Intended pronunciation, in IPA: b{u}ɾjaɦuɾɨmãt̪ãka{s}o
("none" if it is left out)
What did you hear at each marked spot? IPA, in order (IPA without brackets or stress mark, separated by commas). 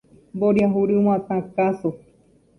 o, s